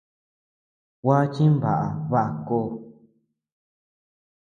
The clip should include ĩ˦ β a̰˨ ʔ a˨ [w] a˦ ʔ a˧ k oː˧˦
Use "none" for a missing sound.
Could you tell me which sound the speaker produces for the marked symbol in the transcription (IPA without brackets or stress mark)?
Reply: β